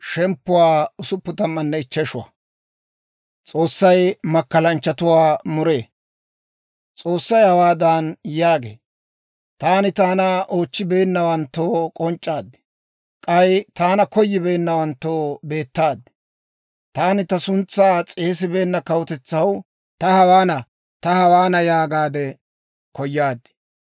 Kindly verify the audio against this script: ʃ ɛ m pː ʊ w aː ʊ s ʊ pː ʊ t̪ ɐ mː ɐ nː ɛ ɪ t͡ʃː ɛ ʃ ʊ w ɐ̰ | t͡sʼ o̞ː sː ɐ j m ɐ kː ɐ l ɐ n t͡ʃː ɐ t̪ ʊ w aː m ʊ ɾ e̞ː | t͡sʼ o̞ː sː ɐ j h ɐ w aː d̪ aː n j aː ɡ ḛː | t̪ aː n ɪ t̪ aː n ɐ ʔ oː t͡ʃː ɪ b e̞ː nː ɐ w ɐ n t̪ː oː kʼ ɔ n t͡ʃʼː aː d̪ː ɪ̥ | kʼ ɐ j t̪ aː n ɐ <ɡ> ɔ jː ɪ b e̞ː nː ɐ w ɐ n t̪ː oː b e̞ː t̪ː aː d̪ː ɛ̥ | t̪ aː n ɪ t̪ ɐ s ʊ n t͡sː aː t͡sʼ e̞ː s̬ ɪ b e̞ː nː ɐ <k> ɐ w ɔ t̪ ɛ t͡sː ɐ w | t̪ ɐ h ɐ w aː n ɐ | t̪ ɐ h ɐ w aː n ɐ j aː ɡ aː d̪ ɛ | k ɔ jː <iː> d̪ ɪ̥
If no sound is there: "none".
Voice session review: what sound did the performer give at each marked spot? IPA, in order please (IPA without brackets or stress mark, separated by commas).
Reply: k, k, aː